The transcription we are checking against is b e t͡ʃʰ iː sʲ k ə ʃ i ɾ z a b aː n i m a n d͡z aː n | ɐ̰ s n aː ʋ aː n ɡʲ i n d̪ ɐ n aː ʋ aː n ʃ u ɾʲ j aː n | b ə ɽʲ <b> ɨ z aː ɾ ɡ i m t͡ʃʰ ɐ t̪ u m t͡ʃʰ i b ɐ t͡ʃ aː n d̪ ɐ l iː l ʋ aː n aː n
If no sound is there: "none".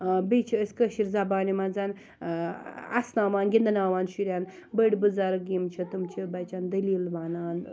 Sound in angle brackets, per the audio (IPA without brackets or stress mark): b